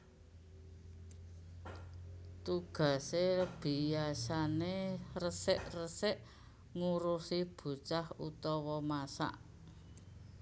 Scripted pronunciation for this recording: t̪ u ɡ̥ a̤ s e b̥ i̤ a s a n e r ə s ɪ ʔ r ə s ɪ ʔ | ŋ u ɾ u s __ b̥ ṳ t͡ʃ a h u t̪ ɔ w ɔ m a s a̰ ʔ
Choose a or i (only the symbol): i